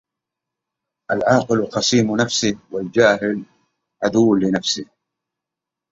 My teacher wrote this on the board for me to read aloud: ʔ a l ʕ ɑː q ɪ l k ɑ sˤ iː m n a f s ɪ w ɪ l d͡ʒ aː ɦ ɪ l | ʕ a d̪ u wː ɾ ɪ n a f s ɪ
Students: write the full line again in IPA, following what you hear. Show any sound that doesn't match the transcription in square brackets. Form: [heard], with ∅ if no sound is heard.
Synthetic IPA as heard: ʔ a l ʕ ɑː q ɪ l [q] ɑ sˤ iː m n a f s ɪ w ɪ l d͡ʒ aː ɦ ɪ l | ʕ a d̪ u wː [l] ɪ n a f s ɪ